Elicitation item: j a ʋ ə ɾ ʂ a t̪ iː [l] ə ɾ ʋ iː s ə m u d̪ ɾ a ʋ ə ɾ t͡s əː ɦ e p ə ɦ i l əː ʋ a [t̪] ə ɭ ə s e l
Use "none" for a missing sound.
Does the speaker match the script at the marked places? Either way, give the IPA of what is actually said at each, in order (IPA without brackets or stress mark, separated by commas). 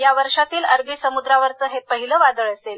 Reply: l, d̪